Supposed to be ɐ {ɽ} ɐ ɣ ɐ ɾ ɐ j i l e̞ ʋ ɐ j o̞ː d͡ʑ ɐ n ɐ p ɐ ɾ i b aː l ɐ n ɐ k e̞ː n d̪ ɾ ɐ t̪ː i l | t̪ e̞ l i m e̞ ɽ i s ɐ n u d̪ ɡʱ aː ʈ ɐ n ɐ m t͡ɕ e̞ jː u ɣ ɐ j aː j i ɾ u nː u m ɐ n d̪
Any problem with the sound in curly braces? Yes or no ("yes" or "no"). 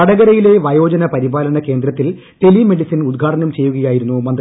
no